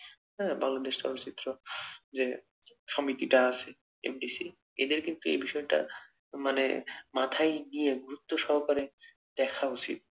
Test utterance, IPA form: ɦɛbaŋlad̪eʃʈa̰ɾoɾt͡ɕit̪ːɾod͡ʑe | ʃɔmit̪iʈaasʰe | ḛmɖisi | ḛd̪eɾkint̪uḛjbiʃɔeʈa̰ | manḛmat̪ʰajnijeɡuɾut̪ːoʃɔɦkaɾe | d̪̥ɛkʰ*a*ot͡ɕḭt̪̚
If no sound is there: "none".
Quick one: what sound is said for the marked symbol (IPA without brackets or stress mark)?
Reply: a